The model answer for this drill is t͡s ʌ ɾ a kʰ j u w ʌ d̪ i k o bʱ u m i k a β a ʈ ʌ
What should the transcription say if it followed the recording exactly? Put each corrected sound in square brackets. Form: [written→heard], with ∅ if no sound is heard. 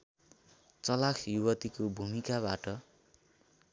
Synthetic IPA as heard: t͡s ʌ [ɾ→l] a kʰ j u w ʌ [d̪→t̪] i k o bʱ u m i k a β a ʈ ʌ